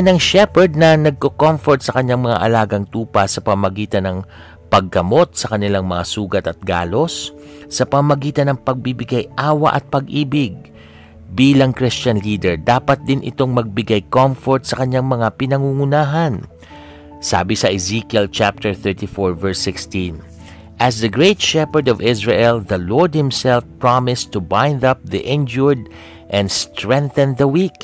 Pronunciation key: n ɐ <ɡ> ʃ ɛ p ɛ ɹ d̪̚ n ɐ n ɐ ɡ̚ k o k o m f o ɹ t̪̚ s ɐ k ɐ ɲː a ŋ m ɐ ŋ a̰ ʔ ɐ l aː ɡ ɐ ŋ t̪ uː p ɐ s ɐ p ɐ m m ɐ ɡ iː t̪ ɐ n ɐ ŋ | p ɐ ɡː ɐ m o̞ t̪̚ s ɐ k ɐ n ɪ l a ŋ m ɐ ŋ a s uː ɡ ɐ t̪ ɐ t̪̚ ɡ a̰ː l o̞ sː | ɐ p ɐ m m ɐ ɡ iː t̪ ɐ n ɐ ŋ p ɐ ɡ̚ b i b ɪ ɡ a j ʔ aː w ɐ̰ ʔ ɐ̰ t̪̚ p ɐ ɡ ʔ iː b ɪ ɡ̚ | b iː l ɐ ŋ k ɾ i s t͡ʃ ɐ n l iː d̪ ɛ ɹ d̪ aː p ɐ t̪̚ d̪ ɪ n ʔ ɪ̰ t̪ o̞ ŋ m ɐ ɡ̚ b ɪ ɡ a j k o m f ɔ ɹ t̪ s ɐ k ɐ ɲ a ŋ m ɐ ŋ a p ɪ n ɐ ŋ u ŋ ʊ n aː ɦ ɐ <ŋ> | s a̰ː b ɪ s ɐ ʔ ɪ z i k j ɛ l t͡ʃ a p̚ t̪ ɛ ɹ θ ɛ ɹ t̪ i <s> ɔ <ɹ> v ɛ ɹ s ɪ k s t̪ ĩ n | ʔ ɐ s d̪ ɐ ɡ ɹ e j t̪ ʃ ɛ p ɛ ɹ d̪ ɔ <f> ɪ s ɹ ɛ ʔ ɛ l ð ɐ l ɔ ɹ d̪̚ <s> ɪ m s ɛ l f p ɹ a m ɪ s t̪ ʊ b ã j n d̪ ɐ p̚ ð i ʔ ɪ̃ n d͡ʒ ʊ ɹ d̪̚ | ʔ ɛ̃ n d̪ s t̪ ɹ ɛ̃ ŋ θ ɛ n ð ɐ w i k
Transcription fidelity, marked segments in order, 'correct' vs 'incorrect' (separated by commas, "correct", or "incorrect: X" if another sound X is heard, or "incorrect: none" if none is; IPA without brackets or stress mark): incorrect: ŋ, incorrect: n, incorrect: f, correct, incorrect: v, incorrect: h